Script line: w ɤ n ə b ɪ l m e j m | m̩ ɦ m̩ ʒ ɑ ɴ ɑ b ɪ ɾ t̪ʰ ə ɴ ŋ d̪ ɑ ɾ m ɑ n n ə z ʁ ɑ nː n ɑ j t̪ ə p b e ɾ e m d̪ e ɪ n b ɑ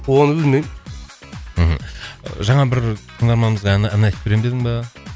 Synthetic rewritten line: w o n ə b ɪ l m e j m | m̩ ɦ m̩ ʒ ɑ ɴ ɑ b ɪ ɾ t̪ʰ ə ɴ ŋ d̪ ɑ ɾ m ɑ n m ə z ʁ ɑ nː n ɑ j t̪ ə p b e ɾ e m d̪ e ɪ ŋ b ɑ